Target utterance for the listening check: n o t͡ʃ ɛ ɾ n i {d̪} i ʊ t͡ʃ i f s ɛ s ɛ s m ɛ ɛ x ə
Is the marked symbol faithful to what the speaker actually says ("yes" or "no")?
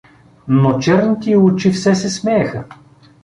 no